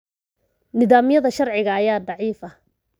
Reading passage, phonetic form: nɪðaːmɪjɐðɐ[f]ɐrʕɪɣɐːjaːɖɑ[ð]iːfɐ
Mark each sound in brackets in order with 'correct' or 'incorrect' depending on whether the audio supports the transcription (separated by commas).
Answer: incorrect, incorrect